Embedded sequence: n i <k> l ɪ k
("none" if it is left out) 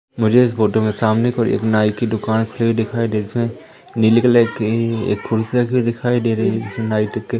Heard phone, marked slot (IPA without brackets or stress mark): none